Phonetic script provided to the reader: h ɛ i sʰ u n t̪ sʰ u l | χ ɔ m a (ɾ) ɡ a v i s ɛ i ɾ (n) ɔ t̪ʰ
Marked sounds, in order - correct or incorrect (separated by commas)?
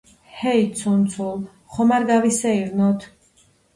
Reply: correct, correct